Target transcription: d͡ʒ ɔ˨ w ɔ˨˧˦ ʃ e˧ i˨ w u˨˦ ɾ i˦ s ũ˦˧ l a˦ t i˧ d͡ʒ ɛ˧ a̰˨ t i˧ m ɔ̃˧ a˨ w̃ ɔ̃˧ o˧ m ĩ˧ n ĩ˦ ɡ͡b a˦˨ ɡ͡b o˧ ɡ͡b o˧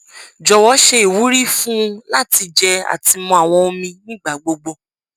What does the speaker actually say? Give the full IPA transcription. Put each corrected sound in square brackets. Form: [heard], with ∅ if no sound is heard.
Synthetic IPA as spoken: d͡ʒ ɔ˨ w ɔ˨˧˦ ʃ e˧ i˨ w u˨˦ ɾ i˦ [f] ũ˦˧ l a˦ t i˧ d͡ʒ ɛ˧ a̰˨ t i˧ m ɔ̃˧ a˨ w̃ ɔ̃˧ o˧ m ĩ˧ n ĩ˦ ɡ͡b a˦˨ ɡ͡b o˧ ɡ͡b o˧